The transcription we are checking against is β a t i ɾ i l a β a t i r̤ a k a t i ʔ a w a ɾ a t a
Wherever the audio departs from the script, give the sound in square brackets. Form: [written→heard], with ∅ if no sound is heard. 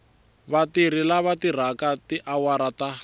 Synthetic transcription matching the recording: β a t i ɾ i l a β a t i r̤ a k a t i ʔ a w a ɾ a t a